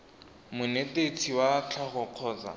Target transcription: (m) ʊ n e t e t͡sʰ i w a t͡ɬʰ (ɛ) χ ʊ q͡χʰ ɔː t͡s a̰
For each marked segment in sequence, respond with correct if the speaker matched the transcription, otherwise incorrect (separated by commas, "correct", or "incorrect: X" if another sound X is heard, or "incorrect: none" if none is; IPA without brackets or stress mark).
correct, incorrect: a